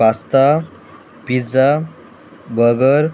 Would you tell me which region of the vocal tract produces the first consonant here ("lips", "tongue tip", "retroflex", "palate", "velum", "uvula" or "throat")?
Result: tongue tip